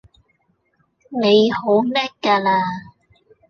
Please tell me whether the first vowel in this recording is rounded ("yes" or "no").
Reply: no